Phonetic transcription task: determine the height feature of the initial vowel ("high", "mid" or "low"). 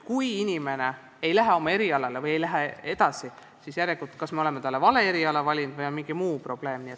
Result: high